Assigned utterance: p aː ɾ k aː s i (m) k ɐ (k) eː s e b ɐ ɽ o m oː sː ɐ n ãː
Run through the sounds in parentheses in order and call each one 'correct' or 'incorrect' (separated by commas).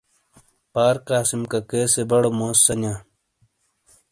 correct, correct